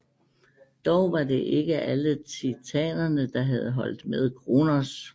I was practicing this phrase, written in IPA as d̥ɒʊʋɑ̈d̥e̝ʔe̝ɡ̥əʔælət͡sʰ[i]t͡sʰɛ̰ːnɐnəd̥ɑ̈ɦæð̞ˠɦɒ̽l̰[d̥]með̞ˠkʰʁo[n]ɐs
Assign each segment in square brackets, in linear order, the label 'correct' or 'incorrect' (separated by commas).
correct, correct, correct